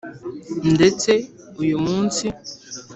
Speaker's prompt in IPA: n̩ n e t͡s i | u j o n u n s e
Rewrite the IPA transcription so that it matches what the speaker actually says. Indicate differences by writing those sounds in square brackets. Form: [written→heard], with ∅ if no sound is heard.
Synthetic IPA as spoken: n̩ [n→d] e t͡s [i→e] | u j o [n→m] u n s [e→i]